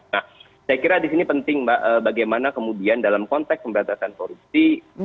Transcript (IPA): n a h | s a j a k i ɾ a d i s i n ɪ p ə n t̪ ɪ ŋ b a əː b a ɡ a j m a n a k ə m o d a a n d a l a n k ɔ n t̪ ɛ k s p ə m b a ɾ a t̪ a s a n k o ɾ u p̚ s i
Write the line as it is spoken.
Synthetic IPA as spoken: n a h | s a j a k i ɾ a d i s i n i p ə n t̪ ɪ ŋ b a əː b a ɡ a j m a n a k ə m u d i a n d a l a m k ɔ n t̪ ɛ k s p ə m b ə ɾ a t̪ a s a n k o ɾ u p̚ s i